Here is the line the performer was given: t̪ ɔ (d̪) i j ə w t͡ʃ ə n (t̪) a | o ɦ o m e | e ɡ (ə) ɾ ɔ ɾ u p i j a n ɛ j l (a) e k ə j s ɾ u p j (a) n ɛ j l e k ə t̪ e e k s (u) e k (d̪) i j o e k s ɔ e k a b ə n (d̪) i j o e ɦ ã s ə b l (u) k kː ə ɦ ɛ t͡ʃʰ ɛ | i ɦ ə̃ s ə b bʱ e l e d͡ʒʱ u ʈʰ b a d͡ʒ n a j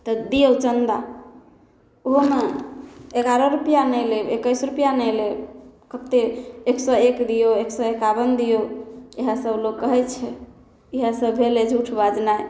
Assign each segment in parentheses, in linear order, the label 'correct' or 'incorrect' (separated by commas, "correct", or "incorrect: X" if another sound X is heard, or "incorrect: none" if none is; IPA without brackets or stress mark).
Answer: correct, incorrect: d̪, incorrect: a, incorrect: e, correct, incorrect: ɔ, correct, correct, incorrect: o